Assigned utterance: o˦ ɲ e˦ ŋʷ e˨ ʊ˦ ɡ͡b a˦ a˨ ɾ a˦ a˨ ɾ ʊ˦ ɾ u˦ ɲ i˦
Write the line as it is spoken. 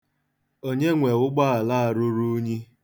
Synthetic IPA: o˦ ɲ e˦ ŋʷ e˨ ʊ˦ ɡ͡b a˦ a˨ l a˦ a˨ ɾ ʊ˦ ɾ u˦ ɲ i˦